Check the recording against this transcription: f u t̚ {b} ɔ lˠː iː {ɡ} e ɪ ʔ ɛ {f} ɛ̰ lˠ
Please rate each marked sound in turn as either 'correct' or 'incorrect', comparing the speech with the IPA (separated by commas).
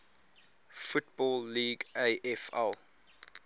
correct, correct, correct